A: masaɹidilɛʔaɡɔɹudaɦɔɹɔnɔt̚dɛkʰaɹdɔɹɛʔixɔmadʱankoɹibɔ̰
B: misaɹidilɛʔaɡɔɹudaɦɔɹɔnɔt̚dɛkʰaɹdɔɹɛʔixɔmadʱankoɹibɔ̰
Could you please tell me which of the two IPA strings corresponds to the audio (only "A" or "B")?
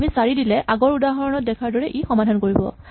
B